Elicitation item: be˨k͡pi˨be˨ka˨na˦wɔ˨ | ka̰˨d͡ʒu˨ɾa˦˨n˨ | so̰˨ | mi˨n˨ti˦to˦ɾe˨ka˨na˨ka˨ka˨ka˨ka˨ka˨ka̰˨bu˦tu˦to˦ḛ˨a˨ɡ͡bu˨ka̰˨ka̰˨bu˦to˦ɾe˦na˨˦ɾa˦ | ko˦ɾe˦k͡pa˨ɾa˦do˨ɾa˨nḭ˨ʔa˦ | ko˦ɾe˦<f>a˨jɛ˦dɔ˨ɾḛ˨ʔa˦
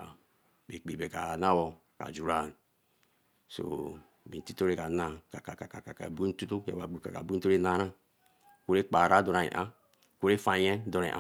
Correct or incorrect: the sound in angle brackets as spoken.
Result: correct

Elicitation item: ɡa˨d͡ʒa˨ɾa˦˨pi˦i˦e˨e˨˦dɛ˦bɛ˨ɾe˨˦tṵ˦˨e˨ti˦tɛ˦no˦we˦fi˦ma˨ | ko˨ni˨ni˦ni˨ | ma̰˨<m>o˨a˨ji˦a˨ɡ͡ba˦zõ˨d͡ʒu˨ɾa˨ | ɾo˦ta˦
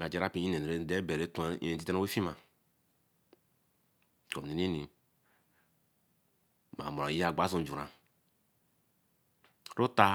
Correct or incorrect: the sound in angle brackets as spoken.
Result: correct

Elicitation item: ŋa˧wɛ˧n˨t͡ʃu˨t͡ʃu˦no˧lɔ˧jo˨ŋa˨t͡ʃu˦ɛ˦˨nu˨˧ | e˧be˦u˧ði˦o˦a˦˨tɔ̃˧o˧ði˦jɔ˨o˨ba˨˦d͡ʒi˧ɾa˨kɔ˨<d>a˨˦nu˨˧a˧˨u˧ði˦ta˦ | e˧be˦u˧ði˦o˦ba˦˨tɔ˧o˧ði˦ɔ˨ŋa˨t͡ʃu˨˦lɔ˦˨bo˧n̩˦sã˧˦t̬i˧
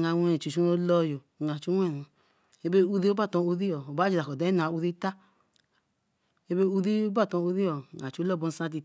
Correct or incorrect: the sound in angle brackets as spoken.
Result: correct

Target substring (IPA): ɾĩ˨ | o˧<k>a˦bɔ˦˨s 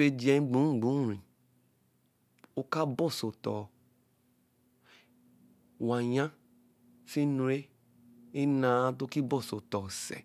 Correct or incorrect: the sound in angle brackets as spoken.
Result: correct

